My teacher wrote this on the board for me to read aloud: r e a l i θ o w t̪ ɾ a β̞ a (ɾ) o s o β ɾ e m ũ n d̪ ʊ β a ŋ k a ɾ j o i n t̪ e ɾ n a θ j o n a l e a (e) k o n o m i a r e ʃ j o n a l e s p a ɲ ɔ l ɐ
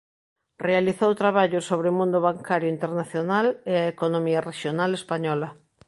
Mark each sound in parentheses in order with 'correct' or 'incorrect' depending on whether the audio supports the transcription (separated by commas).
incorrect, correct